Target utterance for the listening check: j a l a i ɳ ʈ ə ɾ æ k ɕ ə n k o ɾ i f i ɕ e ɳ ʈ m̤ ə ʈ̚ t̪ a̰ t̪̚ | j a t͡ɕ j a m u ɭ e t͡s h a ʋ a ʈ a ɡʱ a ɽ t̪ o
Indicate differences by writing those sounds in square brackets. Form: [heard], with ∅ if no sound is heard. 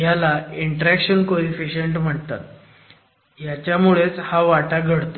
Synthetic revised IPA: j a l a i ɳ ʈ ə ɾ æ k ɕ ə n k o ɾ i f i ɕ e ɳ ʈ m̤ ə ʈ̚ t̪ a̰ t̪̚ | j a t͡ɕ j a m u ɭ e t͡s h a ʋ a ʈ a ɡʱ [ə] ɽ t̪ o

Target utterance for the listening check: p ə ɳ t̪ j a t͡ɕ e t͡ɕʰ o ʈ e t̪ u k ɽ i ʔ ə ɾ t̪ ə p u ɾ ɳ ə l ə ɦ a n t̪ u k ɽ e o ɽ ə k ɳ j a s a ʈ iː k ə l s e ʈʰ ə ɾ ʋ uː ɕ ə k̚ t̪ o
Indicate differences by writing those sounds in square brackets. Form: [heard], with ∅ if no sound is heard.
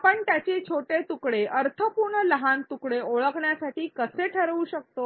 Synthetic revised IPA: p ə ɳ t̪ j a t͡ɕ e t͡ɕʰ o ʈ e t̪ u k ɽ [e] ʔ ə ɾ [t̪ʰ] ə p u ɾ ɳ ə l ə ɦ a n t̪ u k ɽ e o [ɭ] ə k ɳ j a s a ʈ iː k ə [∅] s e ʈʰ ə ɾ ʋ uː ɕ ə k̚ t̪ o

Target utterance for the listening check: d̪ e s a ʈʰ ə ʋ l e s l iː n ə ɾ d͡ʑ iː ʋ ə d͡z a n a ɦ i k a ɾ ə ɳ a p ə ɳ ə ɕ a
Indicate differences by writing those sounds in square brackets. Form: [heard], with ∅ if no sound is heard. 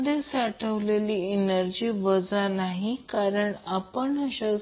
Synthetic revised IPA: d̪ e s a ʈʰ ə ʋ l e [∅] l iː n ə ɾ d͡ʑ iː ʋ ə d͡z a n a ɦ i k a ɾ ə ɳ a p ə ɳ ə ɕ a

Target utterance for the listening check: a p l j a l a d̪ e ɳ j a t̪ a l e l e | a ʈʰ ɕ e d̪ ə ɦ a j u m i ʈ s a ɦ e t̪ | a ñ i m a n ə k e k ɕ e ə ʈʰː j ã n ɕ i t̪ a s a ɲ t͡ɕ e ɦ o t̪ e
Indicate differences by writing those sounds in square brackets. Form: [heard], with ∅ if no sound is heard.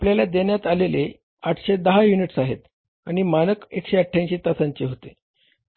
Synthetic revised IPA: a p l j a l a d̪ e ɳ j a t̪ a l e l e | a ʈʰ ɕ e d̪ ə ɦ a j u [n] i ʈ s a ɦ e t̪ | a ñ i m a n ə k e k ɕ e ə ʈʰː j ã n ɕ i t̪ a s a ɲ t͡ɕ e ɦ o t̪ e

